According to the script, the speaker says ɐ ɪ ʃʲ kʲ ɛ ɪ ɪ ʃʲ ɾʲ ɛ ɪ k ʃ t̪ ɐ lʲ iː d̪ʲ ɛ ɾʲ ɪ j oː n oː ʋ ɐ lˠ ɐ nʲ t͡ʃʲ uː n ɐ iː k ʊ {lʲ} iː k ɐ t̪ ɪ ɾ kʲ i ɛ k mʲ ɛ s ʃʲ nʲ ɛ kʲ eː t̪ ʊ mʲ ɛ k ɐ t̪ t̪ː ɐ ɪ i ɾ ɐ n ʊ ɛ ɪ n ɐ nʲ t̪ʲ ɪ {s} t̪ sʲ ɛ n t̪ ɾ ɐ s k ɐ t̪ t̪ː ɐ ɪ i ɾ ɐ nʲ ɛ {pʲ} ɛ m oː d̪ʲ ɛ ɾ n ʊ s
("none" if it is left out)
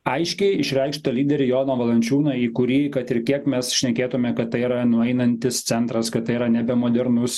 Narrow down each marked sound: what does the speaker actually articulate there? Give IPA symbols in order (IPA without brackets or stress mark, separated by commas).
ɾʲ, s, bʲ